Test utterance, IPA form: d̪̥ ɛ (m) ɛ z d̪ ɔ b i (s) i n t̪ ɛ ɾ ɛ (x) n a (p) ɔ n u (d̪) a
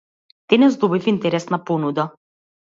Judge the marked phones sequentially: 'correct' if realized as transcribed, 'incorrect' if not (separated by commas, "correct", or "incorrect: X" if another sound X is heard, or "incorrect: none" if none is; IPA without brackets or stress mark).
incorrect: n, incorrect: f, incorrect: s, correct, correct